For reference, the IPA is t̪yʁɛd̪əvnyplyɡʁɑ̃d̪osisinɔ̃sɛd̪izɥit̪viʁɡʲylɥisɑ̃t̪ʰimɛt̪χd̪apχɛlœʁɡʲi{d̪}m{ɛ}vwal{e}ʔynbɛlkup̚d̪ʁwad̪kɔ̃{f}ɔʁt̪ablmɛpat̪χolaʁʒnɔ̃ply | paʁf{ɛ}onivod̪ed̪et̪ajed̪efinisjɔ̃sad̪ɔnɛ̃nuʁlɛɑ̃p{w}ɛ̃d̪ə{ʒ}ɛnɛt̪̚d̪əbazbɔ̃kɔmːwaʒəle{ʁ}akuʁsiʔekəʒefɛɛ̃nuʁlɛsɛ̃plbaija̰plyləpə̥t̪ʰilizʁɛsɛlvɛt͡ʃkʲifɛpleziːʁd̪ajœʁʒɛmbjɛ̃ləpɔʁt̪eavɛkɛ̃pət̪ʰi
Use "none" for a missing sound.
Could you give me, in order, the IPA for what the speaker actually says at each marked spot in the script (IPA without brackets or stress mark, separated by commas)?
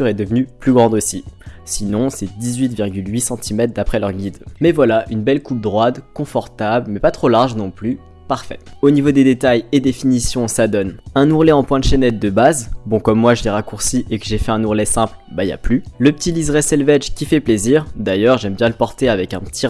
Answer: d̪, ɛ, a, f, ɛ, w, ʃ, ʁ